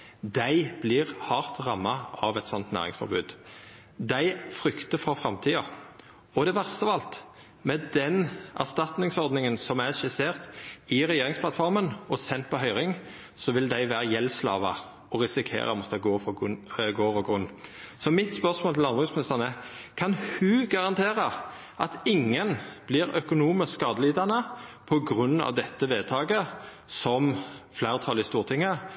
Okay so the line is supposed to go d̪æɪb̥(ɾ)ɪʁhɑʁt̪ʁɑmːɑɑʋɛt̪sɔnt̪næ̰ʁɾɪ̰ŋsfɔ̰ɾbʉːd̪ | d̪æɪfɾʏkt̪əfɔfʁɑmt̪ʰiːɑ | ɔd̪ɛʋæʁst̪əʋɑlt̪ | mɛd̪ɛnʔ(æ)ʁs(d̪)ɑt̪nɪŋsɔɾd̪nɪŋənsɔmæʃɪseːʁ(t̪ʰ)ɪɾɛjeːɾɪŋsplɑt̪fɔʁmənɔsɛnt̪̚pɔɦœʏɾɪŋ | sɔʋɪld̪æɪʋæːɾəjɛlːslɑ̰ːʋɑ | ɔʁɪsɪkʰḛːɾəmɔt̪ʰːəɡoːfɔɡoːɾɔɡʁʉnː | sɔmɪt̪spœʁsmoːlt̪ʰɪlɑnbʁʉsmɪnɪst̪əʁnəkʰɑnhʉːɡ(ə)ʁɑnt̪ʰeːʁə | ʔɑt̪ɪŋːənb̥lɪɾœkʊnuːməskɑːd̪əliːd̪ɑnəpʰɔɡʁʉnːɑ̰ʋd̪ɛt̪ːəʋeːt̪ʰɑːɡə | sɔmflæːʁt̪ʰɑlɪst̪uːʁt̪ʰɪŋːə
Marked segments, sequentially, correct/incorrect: incorrect, correct, incorrect, incorrect, incorrect

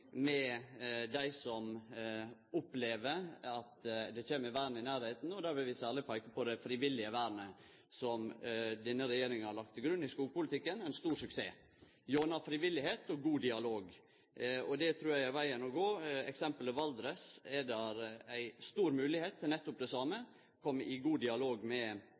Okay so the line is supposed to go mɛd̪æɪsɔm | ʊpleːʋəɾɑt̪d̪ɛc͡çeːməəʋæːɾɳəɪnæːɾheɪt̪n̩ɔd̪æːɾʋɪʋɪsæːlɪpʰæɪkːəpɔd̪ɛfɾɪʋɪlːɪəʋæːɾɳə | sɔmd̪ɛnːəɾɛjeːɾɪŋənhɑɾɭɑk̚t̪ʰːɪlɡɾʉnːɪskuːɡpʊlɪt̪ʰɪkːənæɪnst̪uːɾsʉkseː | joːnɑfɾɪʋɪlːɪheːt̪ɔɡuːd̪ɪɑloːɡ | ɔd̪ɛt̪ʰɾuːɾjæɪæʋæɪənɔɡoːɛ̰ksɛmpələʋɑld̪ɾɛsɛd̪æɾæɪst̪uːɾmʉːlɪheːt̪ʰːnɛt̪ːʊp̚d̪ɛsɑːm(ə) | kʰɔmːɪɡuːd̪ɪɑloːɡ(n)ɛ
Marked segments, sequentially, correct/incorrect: correct, incorrect

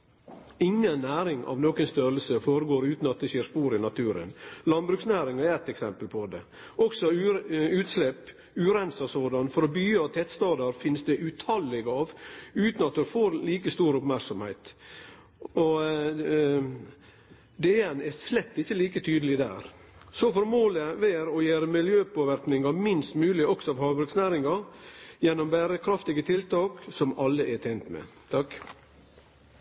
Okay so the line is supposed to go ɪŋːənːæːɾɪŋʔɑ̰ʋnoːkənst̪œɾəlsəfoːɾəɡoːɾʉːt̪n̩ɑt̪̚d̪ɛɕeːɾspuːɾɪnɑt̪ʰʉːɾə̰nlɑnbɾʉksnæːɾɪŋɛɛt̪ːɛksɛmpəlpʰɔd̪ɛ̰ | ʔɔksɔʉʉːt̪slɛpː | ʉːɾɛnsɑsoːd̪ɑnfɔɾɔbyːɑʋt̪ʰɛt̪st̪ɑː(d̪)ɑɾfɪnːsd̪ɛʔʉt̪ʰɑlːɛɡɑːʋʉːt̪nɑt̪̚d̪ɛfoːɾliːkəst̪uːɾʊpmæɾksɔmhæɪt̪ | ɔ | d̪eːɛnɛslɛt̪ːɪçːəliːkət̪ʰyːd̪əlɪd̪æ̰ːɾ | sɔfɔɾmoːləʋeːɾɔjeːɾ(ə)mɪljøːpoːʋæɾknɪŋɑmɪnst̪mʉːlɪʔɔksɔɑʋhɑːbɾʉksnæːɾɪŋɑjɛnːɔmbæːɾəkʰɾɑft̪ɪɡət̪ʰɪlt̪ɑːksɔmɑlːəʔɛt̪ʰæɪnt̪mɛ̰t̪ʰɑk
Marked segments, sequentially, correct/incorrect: correct, correct

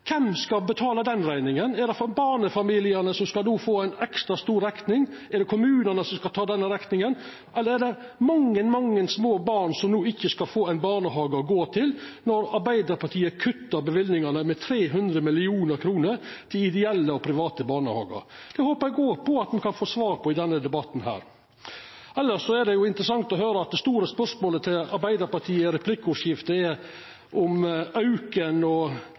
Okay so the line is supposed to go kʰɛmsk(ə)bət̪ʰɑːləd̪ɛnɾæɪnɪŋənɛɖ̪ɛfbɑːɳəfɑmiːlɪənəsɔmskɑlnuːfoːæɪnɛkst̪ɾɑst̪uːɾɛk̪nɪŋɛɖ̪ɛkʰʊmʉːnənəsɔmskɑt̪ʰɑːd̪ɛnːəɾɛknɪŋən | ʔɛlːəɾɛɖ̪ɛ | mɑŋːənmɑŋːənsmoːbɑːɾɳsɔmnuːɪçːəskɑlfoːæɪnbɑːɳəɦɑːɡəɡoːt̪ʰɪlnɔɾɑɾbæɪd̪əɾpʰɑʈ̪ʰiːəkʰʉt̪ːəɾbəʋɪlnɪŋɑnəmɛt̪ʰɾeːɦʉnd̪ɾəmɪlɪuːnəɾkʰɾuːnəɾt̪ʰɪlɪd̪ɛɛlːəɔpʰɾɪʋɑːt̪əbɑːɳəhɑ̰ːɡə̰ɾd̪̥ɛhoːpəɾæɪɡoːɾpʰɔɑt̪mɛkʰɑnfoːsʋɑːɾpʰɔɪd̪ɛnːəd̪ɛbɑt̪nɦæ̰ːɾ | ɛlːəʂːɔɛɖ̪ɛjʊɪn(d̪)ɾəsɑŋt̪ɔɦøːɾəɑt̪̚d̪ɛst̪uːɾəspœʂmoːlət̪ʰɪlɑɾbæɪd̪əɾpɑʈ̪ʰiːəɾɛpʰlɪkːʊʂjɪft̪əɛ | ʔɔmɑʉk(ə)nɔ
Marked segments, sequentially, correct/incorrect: incorrect, incorrect, correct

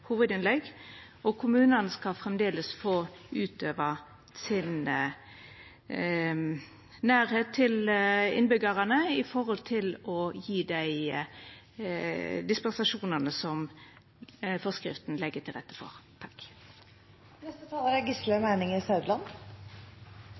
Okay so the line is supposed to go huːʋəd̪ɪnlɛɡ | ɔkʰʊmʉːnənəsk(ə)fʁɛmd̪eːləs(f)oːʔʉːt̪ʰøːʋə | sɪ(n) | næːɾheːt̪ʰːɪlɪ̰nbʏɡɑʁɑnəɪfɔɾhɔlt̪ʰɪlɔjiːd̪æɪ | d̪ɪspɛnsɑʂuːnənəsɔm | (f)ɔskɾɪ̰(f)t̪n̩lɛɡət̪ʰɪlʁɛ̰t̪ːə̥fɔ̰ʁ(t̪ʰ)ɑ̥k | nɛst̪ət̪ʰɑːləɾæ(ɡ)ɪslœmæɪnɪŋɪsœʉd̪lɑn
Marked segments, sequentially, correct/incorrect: incorrect, correct, correct, correct, correct, correct, correct

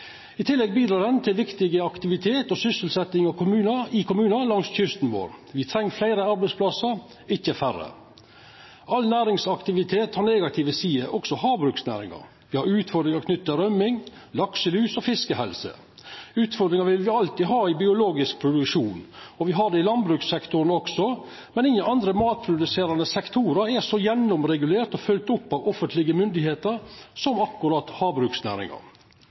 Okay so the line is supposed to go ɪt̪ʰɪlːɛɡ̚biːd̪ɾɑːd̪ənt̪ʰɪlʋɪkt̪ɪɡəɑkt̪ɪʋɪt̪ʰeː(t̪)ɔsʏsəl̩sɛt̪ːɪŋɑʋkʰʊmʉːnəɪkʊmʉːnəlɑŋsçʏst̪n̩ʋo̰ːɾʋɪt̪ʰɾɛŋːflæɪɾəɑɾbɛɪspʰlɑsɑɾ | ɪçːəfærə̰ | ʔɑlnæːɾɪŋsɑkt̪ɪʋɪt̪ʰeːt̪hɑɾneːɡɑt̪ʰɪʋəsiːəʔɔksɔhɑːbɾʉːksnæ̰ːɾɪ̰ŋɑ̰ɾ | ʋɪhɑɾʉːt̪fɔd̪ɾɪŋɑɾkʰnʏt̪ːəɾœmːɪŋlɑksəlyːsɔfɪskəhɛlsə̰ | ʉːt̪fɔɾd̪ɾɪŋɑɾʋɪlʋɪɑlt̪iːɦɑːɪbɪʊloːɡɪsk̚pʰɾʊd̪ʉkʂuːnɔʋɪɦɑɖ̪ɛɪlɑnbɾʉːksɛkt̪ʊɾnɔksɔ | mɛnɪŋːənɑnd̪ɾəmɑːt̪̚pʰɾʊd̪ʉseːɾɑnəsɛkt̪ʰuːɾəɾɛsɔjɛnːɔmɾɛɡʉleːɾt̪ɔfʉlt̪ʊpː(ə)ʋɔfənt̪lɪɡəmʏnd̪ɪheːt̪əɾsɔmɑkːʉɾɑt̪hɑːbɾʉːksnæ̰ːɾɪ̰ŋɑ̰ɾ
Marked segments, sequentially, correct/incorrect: correct, incorrect

